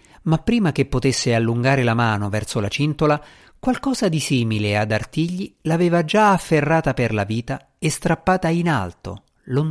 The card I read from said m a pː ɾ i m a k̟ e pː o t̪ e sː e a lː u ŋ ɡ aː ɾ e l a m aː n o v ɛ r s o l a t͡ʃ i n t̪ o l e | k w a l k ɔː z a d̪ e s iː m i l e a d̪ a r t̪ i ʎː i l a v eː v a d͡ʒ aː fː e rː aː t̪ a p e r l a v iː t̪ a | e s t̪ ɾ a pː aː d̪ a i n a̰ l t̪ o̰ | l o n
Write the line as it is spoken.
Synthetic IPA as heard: m a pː ɾ iː m a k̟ e pː o t̪ e sː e a lː u ŋ ɡ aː ɾ e l a m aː n o v ɛ r s o l a t͡ʃ i n t̪ o l a | k w a l k ɔː z a d̪ i s iː m i l e a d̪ a r t̪ i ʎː i l a v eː v a d͡ʒ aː fː e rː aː t̪ a p e r l a v iː t̪ a | e s t̪ ɾ a pː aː t̪ a i n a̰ l t̪ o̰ | l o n